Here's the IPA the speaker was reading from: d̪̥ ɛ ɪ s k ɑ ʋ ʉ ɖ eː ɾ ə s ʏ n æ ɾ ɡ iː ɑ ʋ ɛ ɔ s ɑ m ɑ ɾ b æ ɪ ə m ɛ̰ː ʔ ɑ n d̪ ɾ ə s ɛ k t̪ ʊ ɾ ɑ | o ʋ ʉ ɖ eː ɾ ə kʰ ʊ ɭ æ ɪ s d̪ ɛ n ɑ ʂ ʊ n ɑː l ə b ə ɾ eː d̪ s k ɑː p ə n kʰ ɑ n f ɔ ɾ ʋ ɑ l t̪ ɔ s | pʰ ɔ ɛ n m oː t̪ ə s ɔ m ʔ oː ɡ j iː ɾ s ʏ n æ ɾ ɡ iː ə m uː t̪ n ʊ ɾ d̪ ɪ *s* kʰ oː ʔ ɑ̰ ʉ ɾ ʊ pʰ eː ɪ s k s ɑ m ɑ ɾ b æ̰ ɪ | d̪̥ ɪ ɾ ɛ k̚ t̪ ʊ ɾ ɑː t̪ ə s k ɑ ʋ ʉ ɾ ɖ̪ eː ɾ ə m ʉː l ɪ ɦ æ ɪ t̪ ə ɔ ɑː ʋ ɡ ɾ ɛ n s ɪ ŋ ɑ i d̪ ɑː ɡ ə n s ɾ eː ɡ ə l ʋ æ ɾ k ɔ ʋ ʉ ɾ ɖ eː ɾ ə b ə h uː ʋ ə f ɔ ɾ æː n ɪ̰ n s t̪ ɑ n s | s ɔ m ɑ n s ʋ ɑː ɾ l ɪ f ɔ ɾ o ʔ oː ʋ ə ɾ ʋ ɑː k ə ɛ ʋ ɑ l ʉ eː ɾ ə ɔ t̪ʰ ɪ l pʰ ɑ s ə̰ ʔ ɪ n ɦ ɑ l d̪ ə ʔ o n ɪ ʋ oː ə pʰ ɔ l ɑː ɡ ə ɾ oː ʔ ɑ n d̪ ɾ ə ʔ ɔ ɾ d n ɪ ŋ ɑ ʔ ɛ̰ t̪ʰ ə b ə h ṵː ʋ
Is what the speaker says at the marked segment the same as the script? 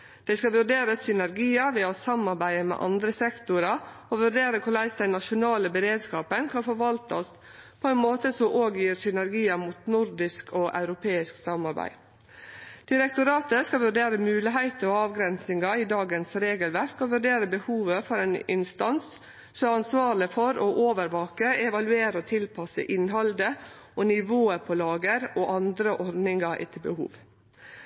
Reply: yes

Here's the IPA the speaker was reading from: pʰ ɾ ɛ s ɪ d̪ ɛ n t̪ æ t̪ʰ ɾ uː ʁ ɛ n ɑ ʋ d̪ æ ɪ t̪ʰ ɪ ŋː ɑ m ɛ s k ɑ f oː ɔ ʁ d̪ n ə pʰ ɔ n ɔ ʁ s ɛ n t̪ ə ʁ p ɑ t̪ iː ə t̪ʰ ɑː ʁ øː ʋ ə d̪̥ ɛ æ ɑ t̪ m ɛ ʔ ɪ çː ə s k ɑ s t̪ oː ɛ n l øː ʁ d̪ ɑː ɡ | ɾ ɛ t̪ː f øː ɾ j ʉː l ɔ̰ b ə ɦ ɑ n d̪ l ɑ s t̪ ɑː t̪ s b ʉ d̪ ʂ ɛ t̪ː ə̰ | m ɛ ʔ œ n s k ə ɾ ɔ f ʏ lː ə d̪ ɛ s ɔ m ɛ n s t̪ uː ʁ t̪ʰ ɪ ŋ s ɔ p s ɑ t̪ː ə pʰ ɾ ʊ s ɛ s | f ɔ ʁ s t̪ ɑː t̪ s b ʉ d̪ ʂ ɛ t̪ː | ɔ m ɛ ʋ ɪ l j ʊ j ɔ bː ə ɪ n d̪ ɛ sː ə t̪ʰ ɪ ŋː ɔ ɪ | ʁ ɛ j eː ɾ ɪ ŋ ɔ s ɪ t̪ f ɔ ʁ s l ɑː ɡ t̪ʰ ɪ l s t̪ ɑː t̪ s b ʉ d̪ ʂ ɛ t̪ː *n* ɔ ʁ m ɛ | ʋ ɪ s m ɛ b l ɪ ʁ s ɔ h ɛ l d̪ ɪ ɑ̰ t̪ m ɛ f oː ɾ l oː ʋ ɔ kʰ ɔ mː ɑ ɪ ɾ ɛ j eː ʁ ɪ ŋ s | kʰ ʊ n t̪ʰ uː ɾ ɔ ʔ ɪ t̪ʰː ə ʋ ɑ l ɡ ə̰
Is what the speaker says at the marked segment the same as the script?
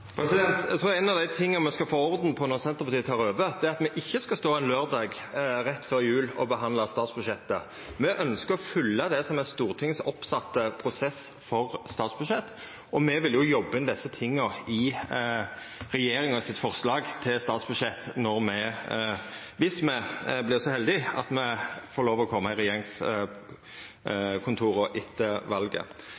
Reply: yes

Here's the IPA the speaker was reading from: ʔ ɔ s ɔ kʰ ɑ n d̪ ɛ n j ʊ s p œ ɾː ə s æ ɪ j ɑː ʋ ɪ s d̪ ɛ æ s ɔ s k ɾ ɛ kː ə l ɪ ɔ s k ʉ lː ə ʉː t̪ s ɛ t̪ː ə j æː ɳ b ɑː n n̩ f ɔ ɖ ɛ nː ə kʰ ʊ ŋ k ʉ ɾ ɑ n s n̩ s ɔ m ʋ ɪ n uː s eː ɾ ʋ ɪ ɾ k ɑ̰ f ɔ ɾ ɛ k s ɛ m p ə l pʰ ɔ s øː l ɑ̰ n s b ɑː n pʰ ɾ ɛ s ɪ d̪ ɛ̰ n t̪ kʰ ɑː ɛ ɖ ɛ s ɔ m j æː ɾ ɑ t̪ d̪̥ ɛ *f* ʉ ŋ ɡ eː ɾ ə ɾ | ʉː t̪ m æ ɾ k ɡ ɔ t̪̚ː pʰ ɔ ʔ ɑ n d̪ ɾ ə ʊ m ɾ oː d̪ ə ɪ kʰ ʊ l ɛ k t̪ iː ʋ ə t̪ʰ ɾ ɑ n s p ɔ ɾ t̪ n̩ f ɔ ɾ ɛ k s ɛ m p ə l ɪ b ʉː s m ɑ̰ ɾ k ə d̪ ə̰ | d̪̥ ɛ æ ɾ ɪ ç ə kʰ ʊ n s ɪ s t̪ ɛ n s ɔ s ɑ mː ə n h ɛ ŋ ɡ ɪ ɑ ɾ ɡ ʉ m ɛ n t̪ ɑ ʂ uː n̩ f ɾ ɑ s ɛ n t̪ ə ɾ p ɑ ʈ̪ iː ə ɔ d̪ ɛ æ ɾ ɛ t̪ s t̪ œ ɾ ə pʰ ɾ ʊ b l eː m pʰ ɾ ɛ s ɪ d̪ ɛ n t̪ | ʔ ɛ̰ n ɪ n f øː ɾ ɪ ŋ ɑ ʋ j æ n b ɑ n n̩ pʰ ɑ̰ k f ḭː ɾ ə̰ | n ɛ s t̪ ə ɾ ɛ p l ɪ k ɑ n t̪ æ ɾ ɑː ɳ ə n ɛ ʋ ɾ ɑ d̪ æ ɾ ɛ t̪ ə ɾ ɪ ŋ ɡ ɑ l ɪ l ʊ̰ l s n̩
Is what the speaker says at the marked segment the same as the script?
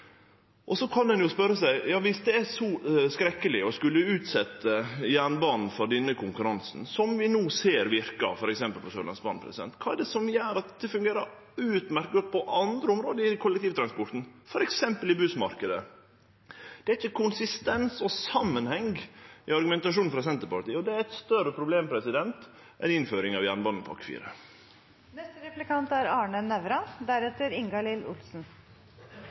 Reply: yes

